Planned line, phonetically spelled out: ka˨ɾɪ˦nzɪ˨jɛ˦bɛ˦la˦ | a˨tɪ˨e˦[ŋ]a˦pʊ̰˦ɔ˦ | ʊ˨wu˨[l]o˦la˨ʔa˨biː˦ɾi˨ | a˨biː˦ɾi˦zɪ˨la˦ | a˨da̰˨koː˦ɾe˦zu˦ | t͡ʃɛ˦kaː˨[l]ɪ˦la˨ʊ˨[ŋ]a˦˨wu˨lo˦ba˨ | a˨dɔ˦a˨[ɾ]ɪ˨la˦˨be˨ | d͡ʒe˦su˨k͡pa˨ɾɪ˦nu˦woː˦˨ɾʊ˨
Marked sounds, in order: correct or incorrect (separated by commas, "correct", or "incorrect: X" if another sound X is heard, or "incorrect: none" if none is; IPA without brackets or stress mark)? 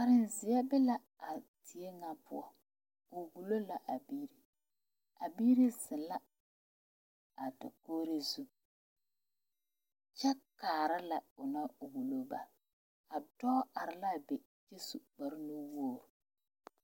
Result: correct, correct, incorrect: ɾ, incorrect: n, correct